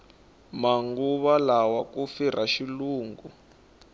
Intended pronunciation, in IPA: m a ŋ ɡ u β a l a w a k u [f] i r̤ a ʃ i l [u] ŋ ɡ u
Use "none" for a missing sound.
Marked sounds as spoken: f, uː

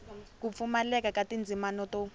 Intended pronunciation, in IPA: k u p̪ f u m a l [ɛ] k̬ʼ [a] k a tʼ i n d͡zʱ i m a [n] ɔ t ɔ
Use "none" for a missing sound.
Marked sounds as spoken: ɛ, a, n

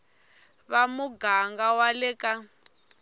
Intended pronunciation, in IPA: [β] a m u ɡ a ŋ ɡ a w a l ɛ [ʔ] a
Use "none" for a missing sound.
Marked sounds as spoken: β, k

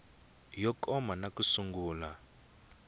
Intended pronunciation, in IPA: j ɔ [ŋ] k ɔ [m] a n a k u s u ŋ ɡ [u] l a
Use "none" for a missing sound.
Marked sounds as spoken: none, m, uː

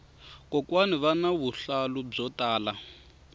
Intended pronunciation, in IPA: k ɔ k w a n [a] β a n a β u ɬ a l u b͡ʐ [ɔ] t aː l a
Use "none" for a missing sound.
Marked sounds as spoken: i, ɔ

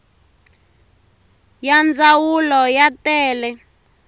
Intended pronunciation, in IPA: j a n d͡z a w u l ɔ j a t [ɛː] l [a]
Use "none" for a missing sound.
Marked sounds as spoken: ɛː, ɛ

